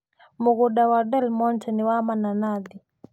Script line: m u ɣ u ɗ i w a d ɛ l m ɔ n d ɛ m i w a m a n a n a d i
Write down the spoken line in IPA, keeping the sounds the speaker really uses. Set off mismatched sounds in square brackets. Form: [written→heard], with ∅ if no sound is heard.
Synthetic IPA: m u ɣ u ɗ [i→a] w a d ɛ l m ɔ n [d→t] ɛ [m→n] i w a m a n a n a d i